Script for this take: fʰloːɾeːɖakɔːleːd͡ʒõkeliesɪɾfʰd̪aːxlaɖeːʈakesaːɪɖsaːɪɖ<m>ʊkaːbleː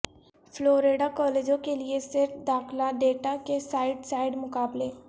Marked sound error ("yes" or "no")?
no